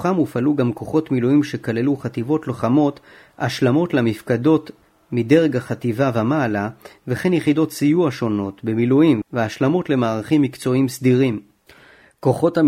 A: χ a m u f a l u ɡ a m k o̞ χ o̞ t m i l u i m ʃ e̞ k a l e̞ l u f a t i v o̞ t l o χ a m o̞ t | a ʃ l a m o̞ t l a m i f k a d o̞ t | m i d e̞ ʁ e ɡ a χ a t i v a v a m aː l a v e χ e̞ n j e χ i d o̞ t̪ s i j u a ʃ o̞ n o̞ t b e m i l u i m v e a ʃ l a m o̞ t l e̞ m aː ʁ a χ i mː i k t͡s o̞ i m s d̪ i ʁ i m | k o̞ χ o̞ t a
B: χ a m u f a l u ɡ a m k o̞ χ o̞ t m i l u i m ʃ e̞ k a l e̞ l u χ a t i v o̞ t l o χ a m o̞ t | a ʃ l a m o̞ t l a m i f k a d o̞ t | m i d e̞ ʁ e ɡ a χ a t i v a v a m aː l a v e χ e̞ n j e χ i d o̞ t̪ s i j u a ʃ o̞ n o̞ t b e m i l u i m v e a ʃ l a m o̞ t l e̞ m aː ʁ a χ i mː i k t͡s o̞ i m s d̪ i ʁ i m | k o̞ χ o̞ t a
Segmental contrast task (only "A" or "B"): B